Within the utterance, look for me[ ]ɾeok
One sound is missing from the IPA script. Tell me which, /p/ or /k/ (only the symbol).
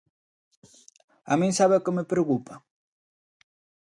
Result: p